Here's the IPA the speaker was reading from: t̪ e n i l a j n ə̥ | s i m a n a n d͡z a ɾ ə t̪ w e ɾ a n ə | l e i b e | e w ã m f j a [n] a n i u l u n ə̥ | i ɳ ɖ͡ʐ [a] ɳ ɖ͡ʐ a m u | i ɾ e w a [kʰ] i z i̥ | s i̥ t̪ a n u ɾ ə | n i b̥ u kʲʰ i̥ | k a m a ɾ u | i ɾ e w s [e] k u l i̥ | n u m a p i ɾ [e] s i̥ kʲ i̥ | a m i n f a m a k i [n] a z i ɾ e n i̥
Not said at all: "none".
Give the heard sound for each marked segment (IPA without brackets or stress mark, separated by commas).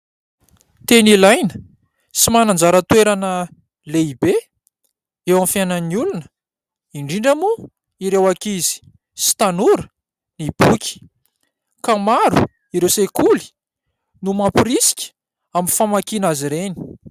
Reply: n, i, k, e, i, n